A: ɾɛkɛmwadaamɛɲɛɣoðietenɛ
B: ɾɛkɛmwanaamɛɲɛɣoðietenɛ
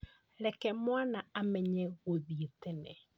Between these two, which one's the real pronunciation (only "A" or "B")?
B